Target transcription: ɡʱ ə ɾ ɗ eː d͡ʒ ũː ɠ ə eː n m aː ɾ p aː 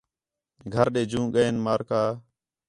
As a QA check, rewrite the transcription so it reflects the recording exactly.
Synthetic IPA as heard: ɡʱ ə ɾ ɗ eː d͡ʒ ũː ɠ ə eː n m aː ɾ k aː